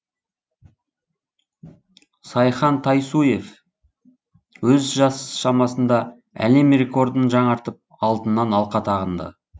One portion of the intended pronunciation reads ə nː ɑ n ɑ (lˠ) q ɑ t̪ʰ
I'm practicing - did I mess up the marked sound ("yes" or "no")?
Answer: no